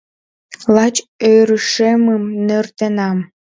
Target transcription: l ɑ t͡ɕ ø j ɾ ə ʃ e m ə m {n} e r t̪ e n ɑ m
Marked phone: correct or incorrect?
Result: correct